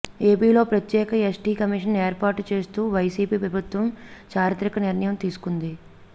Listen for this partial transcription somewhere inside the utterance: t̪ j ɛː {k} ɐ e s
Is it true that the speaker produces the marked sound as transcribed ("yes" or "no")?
yes